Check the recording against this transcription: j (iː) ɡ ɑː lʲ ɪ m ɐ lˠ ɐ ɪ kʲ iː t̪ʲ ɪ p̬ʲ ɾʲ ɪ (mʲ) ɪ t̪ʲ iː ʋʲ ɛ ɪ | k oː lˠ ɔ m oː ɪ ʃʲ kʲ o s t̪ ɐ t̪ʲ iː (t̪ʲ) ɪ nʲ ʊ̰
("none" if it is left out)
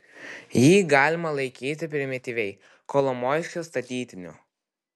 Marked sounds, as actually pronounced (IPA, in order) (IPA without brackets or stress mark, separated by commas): iː, mʲ, t̪ʲ